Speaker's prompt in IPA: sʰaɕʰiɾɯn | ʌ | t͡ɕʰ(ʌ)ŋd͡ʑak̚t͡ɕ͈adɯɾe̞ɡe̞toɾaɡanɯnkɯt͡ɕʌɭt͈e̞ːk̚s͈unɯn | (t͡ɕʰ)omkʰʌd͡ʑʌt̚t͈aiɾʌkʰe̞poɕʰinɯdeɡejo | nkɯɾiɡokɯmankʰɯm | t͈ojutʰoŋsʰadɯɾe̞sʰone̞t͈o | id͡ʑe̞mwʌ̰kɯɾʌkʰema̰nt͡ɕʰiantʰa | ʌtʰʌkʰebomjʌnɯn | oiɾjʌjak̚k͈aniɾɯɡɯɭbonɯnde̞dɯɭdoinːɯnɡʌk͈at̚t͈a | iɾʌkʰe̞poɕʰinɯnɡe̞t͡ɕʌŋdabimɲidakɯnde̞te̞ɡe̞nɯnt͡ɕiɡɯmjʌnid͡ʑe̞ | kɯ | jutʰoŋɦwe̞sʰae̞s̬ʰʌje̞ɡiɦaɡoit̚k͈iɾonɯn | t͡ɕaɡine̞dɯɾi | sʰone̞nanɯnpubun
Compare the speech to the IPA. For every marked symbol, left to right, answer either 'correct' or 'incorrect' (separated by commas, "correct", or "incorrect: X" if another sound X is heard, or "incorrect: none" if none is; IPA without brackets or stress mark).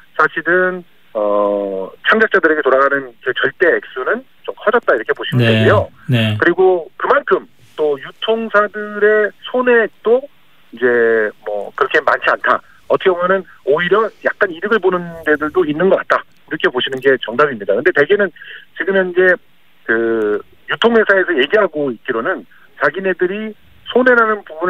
incorrect: a, incorrect: t͡ɕ